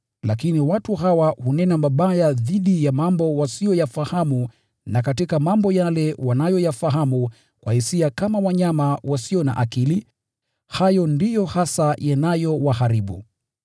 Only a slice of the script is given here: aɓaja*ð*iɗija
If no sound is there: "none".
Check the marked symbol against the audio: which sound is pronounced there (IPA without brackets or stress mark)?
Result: ð